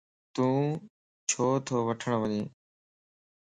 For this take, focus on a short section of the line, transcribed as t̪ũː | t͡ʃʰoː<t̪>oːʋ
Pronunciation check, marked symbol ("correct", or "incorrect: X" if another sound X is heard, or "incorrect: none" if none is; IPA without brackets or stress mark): incorrect: t̪ʰ